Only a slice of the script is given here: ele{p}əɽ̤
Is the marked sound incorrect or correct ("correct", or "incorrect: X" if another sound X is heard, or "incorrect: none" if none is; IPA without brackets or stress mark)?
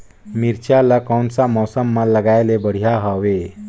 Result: incorrect: b